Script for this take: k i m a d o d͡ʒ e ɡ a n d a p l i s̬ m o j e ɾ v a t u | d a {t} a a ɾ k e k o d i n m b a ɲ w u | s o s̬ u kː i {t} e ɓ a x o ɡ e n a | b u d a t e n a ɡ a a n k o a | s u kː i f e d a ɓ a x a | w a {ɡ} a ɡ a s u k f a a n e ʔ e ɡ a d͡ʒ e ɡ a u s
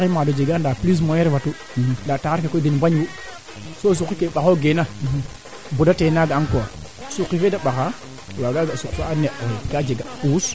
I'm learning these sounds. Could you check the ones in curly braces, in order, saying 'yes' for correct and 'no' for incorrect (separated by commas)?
yes, no, yes